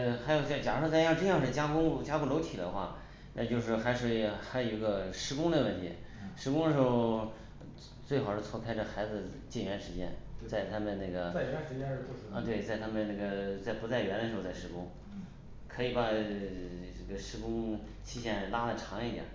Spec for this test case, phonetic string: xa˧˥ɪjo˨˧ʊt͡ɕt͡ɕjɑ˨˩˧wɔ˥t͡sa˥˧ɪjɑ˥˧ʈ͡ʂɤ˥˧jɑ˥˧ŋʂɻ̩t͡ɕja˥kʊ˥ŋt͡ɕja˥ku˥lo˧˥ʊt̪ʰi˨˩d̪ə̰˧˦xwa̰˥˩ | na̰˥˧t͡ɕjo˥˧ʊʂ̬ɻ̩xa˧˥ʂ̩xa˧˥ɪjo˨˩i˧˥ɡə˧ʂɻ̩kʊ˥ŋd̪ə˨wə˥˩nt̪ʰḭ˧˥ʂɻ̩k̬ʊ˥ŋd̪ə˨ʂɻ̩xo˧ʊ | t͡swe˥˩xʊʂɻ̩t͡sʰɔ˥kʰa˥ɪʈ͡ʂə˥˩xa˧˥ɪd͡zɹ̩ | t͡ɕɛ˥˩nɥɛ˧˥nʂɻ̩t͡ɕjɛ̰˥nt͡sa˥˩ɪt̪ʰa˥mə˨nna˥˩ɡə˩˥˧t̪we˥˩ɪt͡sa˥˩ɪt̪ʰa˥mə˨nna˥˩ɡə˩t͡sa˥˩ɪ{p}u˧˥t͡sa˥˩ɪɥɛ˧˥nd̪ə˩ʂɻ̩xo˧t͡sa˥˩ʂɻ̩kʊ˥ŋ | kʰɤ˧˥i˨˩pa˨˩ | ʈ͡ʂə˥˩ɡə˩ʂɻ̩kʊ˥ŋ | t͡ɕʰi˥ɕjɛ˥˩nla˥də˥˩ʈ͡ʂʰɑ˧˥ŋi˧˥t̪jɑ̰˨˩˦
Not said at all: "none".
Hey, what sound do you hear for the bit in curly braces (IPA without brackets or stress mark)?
p